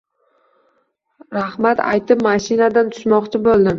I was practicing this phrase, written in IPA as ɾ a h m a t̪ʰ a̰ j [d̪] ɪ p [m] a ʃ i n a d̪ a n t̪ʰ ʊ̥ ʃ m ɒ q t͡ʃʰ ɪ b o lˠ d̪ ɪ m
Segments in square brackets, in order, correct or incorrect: incorrect, correct

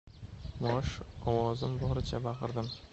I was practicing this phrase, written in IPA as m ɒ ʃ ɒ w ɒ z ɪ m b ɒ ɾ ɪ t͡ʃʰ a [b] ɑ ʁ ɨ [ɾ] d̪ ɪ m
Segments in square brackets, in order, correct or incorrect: correct, correct

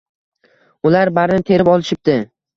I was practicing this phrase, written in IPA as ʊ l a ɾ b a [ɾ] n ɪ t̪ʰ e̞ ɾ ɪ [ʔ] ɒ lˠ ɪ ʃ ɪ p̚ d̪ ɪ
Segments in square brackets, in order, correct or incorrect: correct, incorrect

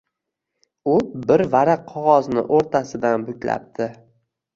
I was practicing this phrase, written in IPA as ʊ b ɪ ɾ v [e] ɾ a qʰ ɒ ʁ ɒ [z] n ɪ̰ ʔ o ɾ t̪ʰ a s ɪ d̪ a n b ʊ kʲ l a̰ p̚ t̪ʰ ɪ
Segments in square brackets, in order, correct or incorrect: incorrect, correct

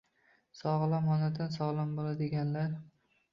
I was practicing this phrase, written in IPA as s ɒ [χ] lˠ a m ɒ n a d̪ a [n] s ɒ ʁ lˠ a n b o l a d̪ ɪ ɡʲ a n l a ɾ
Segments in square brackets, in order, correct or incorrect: incorrect, correct

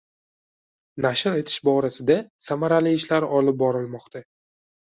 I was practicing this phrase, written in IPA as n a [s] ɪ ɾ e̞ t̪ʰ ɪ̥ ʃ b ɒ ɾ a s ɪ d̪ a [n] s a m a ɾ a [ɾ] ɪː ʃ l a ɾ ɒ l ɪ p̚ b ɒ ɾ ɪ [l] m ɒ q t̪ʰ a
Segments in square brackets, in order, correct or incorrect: incorrect, incorrect, incorrect, correct

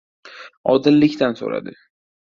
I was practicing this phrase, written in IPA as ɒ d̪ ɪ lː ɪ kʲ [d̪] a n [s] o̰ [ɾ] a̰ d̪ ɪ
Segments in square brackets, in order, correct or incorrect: incorrect, correct, correct

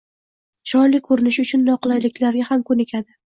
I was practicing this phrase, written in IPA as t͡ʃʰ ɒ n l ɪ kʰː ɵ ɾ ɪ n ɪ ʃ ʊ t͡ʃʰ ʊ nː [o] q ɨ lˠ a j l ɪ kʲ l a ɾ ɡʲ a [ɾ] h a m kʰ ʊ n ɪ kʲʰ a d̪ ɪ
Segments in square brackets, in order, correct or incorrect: incorrect, incorrect

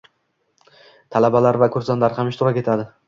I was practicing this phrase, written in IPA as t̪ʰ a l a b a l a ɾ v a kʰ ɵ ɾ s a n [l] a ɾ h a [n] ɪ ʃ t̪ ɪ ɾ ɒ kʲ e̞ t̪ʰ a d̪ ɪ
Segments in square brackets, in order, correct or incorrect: correct, incorrect

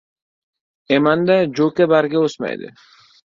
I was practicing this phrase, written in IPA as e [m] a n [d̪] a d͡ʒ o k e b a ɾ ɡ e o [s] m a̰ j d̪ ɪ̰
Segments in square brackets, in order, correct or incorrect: correct, correct, correct

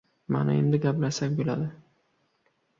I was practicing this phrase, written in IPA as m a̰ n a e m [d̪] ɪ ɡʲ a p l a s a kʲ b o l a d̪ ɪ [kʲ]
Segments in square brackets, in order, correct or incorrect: correct, incorrect

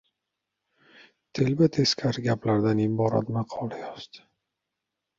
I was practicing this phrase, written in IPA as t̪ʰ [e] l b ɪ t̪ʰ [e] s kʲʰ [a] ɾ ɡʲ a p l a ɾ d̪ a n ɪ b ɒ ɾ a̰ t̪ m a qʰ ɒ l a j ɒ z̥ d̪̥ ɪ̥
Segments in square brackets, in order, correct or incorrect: correct, correct, correct

